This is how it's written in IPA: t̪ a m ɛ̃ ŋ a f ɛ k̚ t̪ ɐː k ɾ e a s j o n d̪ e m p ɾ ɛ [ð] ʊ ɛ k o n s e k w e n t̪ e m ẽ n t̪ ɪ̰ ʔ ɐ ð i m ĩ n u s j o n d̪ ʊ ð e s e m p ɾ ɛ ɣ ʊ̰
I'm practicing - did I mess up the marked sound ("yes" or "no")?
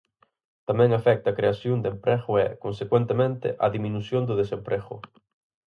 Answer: yes